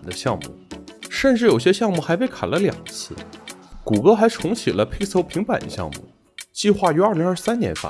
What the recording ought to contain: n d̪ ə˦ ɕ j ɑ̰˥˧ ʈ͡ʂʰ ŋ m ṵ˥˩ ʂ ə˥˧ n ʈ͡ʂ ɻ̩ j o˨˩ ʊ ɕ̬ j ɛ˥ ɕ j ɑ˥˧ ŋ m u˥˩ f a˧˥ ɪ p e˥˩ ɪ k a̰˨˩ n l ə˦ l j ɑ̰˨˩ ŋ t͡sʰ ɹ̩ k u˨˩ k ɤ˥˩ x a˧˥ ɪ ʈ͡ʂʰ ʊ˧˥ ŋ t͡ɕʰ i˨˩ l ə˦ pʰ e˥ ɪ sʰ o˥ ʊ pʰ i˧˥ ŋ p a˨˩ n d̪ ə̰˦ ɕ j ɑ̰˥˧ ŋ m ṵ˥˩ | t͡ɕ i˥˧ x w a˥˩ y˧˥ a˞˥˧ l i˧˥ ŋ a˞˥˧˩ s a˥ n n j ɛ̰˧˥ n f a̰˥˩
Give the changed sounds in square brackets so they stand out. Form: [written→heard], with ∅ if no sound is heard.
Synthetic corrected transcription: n d̪ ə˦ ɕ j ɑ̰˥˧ [ʈ͡ʂʰ→∅] ŋ m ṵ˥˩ ʂ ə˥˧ n ʈ͡ʂ ɻ̩ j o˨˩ ʊ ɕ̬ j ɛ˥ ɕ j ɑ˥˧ ŋ m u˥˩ [f→x] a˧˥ ɪ p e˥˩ ɪ [k→kʰ] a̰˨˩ n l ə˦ l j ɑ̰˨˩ ŋ t͡sʰ ɹ̩ k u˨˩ k [ɤ˥˩→ɤ˥] x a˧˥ ɪ ʈ͡ʂʰ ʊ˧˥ ŋ t͡ɕʰ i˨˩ l ə˦ pʰ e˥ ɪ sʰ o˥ ʊ pʰ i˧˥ ŋ p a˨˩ n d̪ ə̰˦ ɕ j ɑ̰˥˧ ŋ m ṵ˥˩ | t͡ɕ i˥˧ x w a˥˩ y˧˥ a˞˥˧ l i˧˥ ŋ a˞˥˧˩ s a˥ n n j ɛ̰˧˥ n f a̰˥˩

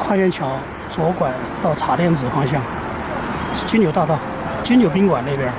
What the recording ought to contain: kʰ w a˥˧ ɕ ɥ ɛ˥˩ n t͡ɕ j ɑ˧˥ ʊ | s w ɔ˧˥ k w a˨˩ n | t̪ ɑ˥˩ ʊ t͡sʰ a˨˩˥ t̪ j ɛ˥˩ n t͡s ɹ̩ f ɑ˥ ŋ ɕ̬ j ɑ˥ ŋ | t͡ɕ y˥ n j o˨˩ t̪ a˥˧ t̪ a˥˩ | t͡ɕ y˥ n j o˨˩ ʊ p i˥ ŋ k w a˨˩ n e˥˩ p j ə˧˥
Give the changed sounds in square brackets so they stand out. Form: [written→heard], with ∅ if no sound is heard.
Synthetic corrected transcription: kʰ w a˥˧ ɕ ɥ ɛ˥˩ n [t͡ɕ→t͡ɕʰ] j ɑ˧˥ ʊ | [s→t͡s] w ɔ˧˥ k w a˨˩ n | t̪ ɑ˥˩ ʊ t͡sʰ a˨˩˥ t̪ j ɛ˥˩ n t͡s ɹ̩ f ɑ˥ ŋ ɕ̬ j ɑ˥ ŋ | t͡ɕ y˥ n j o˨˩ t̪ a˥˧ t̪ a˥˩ | t͡ɕ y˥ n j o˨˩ ʊ p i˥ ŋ k w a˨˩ n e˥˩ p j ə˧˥

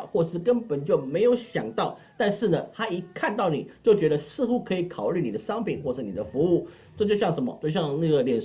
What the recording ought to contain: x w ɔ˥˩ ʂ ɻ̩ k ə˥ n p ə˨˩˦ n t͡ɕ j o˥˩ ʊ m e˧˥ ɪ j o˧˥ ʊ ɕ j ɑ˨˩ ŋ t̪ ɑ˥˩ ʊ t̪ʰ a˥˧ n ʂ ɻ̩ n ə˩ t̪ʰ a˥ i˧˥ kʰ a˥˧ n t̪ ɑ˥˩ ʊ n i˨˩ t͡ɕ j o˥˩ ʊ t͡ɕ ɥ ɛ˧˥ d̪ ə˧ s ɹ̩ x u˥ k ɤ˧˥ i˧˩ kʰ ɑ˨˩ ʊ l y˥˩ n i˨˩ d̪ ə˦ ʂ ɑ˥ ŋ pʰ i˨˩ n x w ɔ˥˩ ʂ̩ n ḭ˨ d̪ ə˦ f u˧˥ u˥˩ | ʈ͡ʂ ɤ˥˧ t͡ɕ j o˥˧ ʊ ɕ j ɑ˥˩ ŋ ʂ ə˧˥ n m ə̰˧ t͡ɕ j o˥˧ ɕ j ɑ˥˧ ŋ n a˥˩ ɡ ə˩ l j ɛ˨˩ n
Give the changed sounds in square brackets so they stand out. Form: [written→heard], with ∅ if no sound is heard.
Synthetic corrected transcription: x w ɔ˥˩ ʂ ɻ̩ k ə˥ n p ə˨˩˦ n t͡ɕ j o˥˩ ʊ m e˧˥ ɪ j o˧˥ ʊ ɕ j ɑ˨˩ ŋ t̪ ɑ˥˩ ʊ [t̪ʰ→t̪] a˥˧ n ʂ ɻ̩ n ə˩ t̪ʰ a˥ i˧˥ kʰ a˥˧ n t̪ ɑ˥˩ ʊ n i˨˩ t͡ɕ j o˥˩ ʊ t͡ɕ ɥ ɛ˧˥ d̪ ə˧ s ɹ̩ x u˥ [k→kʰ] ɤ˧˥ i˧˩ kʰ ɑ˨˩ ʊ l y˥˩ n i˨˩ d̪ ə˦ ʂ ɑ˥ ŋ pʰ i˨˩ n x w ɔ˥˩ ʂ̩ n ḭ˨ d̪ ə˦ f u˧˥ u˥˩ | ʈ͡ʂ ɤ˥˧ t͡ɕ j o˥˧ ʊ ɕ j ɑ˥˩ ŋ ʂ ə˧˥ n m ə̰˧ t͡ɕ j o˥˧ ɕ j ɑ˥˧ ŋ n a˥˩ ɡ ə˩ l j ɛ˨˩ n

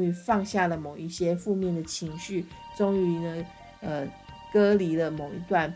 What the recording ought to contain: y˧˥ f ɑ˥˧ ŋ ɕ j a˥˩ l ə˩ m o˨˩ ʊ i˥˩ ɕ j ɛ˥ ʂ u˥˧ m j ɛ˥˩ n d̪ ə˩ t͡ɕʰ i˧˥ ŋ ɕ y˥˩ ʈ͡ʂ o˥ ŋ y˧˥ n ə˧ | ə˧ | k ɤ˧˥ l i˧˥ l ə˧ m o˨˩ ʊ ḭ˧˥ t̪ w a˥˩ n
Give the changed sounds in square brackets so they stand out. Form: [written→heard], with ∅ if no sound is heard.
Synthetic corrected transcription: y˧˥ f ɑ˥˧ ŋ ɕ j a˥˩ l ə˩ m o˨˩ ʊ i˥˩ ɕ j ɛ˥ [ʂ→f] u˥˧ m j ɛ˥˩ n d̪ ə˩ t͡ɕʰ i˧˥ ŋ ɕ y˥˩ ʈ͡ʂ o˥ ŋ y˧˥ n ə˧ | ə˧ | k [ɤ˧˥→ɤ˥] l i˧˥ l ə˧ m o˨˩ ʊ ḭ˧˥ t̪ w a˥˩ n

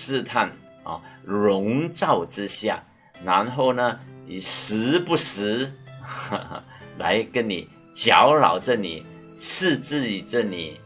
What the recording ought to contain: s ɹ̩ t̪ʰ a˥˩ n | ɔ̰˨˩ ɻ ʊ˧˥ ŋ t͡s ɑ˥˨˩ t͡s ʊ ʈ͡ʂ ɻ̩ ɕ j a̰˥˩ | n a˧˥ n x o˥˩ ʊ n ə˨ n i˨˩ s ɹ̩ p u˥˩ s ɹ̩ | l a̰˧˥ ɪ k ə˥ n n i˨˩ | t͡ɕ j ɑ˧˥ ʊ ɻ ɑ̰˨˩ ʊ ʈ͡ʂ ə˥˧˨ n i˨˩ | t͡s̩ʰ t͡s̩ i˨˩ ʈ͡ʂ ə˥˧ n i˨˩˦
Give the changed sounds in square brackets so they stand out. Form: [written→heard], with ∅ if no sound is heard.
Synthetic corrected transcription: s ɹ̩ t̪ʰ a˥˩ n | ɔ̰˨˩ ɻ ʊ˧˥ ŋ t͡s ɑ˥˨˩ [t͡s→∅] ʊ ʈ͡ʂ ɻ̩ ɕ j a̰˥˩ | n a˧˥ n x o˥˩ ʊ n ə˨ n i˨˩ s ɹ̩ p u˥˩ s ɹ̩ | l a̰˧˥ ɪ k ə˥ n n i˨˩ | t͡ɕ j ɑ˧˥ ʊ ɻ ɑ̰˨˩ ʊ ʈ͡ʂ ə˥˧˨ n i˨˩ | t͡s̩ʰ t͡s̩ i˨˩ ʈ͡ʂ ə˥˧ n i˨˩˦

